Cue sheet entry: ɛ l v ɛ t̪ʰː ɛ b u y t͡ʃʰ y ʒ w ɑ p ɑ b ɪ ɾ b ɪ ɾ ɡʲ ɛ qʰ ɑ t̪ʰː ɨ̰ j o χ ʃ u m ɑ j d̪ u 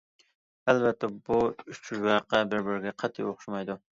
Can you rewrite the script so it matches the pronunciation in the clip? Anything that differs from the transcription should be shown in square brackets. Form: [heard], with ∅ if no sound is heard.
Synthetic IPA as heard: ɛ l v ɛ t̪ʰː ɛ b u y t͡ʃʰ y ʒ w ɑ [q] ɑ b ɪ ɾ b ɪ ɾ ɡʲ ɛ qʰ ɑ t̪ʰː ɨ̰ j o χ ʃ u m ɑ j d̪ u